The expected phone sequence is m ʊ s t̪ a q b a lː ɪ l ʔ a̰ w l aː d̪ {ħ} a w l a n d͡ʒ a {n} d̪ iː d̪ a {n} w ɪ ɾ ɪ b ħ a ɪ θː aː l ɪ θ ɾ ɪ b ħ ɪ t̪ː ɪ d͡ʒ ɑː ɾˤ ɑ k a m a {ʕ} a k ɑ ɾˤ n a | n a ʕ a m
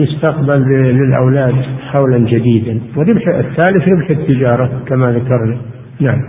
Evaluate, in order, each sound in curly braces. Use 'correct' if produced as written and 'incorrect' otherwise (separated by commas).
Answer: correct, incorrect, correct, incorrect